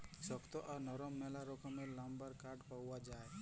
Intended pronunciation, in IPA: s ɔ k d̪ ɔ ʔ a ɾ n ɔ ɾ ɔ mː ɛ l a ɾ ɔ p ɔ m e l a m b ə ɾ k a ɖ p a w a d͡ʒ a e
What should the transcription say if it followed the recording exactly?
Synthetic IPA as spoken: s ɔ k t̪ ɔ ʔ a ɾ n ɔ ɾ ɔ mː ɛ l a ɾ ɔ k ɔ m e l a m b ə ɾ k a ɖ p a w a d͡ʒ a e